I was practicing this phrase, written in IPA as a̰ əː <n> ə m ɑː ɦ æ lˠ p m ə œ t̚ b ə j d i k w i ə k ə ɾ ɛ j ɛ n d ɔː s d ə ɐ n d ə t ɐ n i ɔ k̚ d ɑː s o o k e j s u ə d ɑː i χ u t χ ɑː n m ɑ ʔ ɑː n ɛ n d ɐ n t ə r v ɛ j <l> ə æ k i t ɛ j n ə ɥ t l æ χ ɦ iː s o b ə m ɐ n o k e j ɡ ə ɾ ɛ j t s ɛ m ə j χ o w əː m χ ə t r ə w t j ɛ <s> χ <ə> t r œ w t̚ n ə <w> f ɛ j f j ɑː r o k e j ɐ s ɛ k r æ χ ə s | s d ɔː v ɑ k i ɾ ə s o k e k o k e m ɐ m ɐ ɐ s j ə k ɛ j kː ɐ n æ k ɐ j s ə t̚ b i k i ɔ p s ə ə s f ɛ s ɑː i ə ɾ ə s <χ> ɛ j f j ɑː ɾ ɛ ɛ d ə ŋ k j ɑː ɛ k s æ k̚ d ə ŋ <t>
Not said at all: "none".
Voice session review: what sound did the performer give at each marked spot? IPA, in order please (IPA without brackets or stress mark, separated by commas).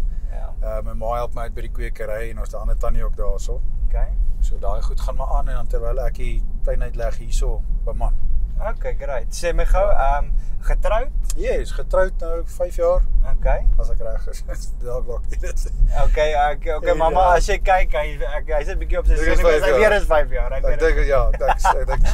m, l, s, ə, w, f, k